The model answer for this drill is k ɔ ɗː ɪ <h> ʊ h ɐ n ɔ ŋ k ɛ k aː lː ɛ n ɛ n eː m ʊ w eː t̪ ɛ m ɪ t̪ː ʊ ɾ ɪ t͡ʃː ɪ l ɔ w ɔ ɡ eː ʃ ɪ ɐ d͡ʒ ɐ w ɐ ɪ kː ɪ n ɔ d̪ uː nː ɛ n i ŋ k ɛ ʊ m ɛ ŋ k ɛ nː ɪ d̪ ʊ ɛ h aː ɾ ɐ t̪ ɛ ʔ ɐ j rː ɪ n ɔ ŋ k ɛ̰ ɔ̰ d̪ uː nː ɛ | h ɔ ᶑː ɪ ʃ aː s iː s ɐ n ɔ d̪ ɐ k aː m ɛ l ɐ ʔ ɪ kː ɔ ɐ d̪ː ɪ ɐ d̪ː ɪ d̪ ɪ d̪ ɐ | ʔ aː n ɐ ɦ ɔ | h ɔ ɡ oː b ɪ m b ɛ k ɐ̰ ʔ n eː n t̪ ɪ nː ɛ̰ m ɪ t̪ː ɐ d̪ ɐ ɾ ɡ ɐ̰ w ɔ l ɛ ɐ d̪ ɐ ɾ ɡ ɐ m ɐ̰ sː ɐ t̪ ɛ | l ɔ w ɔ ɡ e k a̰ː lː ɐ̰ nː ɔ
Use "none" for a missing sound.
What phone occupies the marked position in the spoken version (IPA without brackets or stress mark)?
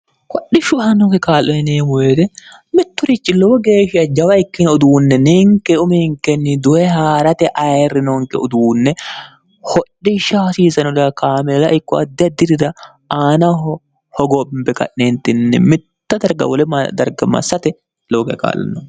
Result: ʃ